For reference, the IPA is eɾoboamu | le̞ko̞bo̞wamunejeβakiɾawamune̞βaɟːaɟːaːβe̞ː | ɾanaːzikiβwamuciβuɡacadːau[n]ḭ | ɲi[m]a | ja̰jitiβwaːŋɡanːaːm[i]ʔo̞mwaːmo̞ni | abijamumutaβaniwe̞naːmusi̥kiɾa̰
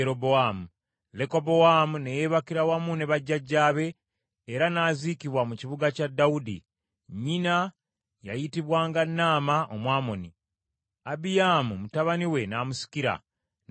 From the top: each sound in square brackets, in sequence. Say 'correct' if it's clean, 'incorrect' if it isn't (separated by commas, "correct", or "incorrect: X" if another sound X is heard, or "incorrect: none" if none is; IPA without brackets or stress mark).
incorrect: d, incorrect: n, incorrect: a